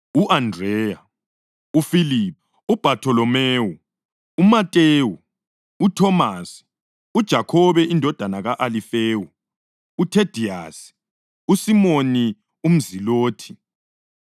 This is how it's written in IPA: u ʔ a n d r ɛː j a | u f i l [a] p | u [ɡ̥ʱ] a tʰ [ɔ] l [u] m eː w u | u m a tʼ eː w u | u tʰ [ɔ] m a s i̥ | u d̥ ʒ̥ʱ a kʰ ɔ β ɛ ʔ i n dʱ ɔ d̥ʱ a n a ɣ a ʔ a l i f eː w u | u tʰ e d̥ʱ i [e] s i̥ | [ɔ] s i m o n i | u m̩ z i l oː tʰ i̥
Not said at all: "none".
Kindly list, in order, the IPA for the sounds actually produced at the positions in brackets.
i, b̥ʱ, ɔ, ɔ, ɔ, a, u

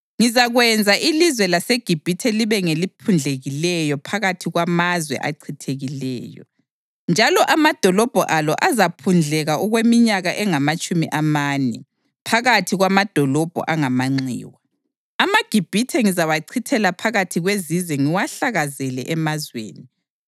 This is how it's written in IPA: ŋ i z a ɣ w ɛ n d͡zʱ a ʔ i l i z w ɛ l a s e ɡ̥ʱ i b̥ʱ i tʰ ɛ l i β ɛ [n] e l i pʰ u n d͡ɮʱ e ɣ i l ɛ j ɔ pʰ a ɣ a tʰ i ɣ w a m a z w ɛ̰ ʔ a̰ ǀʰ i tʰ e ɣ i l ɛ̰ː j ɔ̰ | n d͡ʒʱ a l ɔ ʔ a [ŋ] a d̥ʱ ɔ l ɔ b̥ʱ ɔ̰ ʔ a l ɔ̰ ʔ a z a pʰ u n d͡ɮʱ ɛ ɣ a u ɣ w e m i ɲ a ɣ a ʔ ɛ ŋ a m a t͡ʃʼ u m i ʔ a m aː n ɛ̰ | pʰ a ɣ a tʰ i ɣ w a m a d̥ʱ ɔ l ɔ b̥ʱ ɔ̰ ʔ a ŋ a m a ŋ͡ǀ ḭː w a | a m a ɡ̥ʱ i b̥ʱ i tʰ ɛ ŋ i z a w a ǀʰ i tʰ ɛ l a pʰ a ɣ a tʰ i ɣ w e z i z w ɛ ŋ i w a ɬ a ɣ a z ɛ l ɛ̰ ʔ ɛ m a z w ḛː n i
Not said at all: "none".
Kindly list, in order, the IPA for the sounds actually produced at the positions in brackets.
ŋ, m

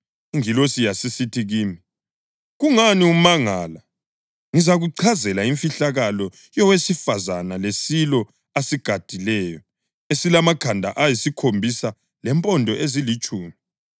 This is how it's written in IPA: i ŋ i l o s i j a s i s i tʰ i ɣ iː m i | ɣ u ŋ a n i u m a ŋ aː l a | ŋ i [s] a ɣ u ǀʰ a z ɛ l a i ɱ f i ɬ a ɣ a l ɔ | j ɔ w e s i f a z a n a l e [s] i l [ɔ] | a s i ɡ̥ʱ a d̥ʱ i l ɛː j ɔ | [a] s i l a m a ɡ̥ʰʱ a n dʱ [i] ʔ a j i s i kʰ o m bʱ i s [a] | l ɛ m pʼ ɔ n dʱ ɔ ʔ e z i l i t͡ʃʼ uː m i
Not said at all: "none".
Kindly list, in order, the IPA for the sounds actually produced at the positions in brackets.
z, s, ɔ, e, a, a

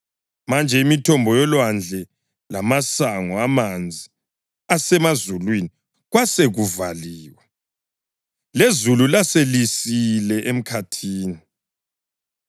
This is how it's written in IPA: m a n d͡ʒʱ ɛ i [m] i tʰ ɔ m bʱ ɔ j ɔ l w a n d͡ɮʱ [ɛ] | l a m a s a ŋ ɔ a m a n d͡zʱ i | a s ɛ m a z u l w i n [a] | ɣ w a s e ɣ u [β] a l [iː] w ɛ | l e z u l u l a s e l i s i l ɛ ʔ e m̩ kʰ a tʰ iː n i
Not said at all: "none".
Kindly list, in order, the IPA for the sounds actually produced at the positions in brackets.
m, ɛ, i, v, iː

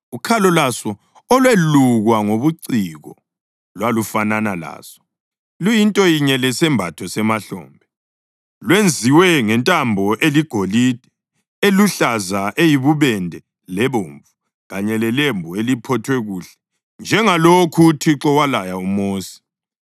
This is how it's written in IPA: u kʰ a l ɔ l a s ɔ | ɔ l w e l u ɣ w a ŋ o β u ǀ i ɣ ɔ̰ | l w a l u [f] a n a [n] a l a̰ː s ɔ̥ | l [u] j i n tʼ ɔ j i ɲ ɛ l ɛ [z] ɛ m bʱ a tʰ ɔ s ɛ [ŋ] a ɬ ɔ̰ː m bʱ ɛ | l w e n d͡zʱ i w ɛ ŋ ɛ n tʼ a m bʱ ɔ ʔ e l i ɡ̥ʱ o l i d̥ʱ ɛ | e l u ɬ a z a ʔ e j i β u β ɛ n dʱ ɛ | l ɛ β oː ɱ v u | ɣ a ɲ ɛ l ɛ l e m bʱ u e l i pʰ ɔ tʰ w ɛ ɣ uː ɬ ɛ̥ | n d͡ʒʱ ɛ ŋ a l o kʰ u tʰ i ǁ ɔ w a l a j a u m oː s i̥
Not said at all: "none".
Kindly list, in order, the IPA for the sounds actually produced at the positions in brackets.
f, n, u, s, m

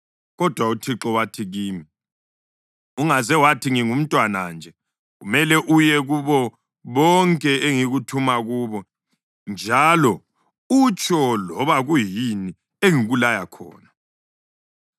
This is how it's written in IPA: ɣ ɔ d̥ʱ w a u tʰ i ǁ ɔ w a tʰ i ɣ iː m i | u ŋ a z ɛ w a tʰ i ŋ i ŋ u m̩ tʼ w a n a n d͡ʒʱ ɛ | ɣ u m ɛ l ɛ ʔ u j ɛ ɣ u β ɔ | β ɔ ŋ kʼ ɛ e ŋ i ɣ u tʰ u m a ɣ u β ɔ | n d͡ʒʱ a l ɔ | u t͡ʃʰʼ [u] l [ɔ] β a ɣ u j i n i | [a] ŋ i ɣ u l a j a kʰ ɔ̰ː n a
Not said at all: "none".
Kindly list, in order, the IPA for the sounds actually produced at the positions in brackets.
ɔ, ɔ, e

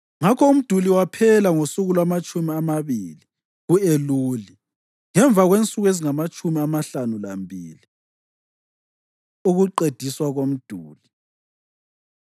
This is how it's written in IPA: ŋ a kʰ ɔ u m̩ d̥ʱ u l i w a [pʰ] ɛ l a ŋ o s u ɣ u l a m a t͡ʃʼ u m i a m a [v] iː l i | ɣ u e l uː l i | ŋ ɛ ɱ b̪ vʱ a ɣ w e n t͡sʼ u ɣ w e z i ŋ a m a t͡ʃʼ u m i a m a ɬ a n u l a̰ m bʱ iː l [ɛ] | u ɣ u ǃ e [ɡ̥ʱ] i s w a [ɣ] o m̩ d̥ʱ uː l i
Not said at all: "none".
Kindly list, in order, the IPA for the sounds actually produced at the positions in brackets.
pʰ, β, i, d̥ʱ, ɣ

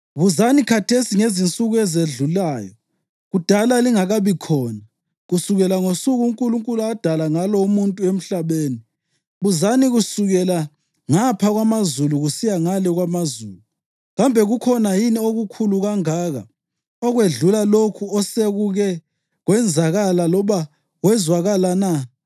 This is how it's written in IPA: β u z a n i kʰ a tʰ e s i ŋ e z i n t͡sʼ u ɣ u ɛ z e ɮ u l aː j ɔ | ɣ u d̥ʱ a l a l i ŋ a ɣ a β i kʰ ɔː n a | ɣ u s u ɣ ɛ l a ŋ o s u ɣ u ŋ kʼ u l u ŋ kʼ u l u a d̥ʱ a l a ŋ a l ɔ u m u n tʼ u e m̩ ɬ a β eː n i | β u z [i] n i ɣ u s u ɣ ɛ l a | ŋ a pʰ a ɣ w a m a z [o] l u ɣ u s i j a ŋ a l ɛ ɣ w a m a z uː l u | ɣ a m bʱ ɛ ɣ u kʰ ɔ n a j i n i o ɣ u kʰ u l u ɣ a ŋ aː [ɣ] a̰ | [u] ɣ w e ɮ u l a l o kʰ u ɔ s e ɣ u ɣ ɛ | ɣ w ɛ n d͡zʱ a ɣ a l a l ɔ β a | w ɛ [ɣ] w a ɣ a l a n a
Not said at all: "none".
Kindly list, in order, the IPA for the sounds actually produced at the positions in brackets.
a, u, ɣ, ɔ, z

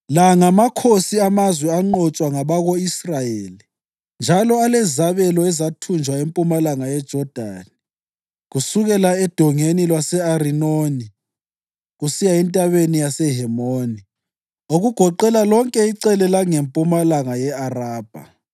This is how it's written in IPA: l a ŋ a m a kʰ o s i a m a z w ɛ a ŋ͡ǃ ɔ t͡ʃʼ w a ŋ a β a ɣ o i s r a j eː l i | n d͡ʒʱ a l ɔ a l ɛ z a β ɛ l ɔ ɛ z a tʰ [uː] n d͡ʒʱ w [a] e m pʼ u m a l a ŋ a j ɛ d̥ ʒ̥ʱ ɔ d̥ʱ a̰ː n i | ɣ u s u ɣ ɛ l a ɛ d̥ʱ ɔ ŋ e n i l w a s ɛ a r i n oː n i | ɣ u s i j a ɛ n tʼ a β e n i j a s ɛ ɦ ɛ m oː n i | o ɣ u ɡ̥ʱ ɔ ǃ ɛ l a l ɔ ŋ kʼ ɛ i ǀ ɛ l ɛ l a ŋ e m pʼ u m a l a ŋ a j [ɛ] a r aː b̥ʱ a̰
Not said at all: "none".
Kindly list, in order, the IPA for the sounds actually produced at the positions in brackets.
u, a, ɛ

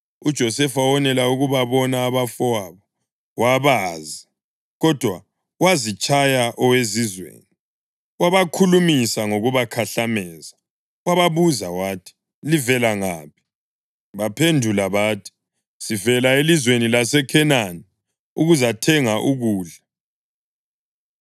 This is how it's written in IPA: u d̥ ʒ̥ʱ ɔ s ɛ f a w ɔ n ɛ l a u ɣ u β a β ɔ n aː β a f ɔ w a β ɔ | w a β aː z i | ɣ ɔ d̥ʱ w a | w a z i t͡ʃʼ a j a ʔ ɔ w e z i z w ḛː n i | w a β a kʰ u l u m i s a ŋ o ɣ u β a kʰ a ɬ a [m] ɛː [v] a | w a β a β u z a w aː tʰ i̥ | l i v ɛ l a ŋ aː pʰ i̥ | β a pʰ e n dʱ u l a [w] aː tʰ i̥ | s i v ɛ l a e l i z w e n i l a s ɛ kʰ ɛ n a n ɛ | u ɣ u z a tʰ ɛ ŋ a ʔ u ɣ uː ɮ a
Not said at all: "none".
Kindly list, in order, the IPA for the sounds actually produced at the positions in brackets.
m, z, β

